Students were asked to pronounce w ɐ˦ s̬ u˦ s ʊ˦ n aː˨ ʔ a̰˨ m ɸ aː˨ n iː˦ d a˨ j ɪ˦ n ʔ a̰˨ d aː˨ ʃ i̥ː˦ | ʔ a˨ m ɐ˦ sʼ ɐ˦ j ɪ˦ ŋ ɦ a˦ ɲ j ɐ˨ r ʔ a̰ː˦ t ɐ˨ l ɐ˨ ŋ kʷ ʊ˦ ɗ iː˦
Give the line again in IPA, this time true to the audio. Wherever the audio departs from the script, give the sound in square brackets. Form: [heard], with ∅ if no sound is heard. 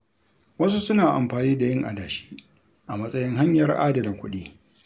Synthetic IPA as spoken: w ɐ˦ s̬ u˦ s ʊ˦ n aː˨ ʔ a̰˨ m ɸ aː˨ n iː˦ d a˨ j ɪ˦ [ŋ] ʔ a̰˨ d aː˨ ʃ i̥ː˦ | ʔ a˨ m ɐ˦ sʼ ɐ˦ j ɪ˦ ŋ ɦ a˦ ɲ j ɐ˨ r ʔ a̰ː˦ [d] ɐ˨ l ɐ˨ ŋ kʷ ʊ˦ ɗ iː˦